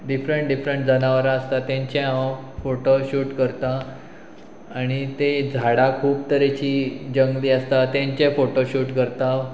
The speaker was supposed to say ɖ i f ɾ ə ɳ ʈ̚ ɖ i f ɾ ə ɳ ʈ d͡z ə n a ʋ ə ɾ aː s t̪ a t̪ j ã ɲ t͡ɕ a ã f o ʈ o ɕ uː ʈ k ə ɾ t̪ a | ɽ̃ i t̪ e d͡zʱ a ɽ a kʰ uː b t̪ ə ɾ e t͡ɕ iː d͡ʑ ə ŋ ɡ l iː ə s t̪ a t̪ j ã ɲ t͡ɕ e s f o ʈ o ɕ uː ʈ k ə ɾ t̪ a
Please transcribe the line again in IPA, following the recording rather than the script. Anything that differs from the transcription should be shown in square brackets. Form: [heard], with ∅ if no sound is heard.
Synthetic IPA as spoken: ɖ i f ɾ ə ɳ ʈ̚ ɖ i f ɾ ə ɳ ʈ d͡z ə n a ʋ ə ɾ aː s t̪ a t̪ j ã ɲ t͡ɕ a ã f o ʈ o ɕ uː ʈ k ə ɾ t̪ a | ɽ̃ i t̪ e d͡zʱ a ɽ a kʰ uː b t̪ ə ɾ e t͡ɕ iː d͡ʑ ə ŋ ɡ l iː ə s t̪ a t̪ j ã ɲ t͡ɕ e [∅] f o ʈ o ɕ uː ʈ k ə ɾ t̪ a